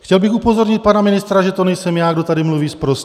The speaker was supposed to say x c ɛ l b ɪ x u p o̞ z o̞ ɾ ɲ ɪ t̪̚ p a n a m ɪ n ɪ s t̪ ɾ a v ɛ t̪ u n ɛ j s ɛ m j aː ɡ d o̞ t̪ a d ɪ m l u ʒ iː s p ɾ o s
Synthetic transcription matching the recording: x c ɛ l b ɪ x u p o̞ z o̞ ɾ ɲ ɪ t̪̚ p a n a m ɪ n ɪ s t̪ ɾ a ʒ ɛ t̪ o n ɛ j s ɛ m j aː ɡ d o̞ t̪ a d ɪ m l u v iː s p ɾ o s